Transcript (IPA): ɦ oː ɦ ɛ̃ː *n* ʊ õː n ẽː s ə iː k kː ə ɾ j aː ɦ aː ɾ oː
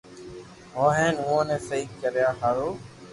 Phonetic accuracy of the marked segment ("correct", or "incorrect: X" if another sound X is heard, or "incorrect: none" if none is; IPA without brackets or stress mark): correct